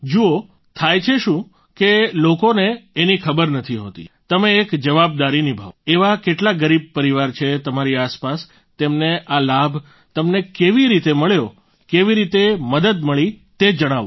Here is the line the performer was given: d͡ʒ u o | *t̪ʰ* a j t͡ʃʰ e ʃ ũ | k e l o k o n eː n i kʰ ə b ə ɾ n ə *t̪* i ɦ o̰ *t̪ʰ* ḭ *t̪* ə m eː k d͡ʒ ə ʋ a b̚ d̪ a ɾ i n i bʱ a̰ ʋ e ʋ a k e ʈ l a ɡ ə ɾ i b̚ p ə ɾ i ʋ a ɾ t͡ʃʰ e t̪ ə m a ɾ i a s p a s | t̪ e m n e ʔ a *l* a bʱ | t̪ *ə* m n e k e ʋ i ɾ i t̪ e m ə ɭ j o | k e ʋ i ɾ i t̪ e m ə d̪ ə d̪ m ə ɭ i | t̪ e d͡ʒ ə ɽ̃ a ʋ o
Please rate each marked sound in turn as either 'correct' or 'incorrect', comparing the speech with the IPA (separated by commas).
correct, incorrect, incorrect, correct, correct, correct